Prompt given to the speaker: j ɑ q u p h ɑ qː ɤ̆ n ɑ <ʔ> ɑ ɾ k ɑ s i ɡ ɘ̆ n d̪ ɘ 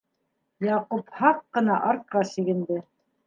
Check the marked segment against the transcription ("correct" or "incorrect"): correct